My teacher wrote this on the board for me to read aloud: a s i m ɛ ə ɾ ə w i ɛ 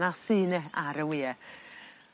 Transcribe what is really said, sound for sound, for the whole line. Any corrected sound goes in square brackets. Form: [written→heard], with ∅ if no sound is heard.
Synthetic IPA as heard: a s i [m→n] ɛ [ə→a] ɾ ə w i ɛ